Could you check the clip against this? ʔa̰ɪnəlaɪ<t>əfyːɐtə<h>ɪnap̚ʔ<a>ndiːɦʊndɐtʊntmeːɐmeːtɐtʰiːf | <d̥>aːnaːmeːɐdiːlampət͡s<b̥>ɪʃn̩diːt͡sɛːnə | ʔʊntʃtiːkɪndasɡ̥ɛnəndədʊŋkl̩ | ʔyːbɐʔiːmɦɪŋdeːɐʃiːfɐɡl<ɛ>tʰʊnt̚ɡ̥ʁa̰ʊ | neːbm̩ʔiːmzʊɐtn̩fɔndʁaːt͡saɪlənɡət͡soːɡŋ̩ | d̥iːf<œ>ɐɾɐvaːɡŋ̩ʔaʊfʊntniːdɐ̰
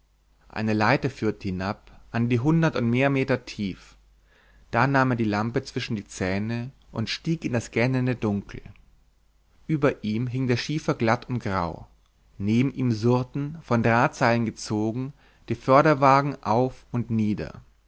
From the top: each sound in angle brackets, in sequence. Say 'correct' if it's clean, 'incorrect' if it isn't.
correct, correct, correct, correct, incorrect, incorrect, correct

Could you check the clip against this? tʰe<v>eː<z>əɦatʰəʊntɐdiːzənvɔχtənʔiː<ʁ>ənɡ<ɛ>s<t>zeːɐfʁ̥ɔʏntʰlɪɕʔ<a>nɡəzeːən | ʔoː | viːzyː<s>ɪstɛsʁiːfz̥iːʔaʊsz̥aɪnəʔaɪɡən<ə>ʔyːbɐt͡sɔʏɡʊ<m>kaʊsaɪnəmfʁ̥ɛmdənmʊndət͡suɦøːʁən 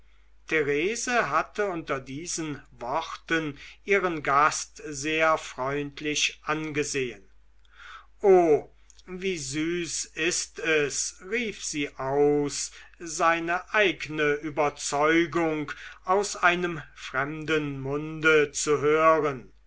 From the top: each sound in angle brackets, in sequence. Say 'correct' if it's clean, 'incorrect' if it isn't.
incorrect, correct, correct, incorrect, correct, correct, correct, correct, incorrect

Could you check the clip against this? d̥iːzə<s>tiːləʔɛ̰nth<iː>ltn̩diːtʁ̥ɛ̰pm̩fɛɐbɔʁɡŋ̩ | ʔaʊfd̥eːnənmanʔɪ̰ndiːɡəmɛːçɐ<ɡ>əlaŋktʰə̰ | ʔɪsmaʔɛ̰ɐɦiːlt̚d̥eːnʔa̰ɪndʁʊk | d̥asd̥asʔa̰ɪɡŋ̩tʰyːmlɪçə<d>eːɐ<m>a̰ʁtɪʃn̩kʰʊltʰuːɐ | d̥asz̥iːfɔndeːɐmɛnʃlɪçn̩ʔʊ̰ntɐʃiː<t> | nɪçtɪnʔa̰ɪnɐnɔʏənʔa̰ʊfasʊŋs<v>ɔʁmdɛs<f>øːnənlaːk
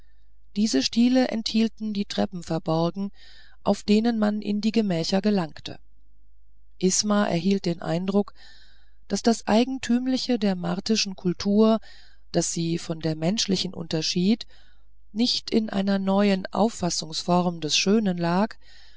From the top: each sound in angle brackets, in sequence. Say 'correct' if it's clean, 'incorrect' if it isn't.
incorrect, correct, correct, correct, correct, correct, incorrect, incorrect

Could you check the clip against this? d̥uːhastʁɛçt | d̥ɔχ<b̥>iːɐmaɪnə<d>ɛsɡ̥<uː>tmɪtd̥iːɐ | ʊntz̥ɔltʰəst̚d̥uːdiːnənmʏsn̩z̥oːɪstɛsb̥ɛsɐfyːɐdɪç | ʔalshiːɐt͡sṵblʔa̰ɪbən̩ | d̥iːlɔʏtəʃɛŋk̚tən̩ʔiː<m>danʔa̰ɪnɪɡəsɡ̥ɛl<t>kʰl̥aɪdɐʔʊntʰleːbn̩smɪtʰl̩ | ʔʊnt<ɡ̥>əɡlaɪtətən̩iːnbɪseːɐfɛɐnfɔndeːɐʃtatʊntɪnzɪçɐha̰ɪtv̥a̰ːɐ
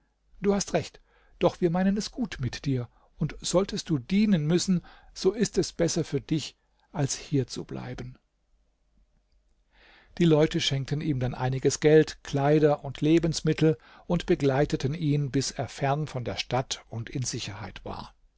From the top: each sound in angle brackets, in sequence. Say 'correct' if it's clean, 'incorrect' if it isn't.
incorrect, incorrect, correct, correct, correct, incorrect

